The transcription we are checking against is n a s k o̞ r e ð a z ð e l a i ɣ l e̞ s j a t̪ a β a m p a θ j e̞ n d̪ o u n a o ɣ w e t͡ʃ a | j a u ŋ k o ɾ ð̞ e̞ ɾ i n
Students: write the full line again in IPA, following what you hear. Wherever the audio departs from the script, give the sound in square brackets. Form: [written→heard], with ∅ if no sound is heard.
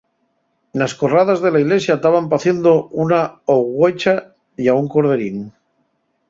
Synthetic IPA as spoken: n a s k o̞ r [e→a] ð a z ð e l a i ɣ l e̞ s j a t̪ a β a m p a θ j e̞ n d̪ o u n a o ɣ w e t͡ʃ a | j a u ŋ k o ɾ ð̞ e̞ ɾ i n